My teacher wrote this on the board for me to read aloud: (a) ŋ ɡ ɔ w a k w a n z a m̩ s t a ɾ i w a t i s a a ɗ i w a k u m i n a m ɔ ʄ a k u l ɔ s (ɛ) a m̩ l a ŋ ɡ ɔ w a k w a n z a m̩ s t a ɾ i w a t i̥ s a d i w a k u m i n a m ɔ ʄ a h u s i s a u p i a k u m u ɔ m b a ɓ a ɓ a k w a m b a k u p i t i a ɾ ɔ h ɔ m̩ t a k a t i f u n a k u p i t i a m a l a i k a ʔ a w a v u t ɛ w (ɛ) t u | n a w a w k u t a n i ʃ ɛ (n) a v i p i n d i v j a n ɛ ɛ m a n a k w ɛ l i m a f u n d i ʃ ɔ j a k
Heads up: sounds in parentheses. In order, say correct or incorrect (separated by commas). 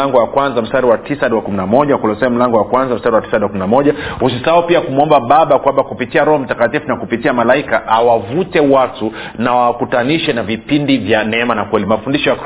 correct, correct, incorrect, correct